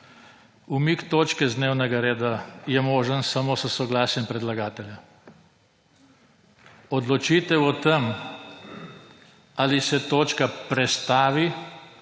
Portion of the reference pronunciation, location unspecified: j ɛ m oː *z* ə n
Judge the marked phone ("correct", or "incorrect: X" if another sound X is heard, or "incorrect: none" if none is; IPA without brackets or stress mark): incorrect: ʒ